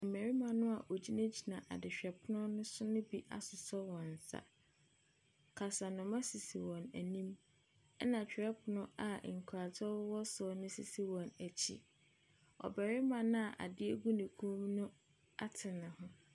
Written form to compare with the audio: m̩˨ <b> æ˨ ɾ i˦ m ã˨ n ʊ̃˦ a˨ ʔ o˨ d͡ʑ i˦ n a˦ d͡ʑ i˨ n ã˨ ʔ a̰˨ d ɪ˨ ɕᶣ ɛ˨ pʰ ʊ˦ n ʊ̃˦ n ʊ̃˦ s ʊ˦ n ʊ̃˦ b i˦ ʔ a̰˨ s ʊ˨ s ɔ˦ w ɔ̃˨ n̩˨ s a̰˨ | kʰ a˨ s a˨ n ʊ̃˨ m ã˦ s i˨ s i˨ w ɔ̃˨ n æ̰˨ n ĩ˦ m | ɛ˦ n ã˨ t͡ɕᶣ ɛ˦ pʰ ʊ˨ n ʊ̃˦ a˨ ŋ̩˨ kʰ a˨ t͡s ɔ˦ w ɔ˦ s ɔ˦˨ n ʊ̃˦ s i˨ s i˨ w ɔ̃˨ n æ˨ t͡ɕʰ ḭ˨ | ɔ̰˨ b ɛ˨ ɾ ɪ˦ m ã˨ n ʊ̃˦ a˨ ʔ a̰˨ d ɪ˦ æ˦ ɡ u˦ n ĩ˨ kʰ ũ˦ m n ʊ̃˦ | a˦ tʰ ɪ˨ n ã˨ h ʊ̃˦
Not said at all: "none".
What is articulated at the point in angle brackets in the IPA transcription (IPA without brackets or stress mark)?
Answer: m